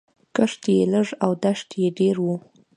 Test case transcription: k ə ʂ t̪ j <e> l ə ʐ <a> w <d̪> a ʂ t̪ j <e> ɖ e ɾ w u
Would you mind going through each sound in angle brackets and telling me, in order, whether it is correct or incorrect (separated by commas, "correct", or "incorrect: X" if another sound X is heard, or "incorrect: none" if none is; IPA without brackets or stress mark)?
correct, correct, correct, correct